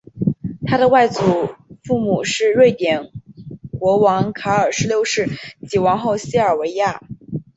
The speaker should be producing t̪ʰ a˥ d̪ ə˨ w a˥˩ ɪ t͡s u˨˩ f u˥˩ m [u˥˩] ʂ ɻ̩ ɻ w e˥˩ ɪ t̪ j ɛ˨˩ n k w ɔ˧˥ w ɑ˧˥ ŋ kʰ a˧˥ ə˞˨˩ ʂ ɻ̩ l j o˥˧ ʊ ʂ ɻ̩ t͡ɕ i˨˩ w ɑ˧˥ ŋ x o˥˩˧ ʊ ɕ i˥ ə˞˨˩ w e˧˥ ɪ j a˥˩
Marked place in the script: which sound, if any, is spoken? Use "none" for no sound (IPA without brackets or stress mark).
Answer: u˨˩